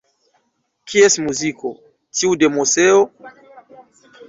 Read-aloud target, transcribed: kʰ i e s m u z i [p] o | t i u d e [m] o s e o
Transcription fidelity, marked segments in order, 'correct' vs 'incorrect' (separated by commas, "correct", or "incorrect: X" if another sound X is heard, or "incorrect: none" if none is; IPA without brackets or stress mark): incorrect: k, correct